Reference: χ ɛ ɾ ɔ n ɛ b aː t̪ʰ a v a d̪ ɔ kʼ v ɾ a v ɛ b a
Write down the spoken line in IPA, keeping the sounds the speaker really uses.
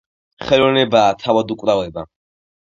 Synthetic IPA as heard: χ ɛ l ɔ n ɛ b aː t̪ʰ a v a d̪ u kʼ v ɾ a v ɛ b a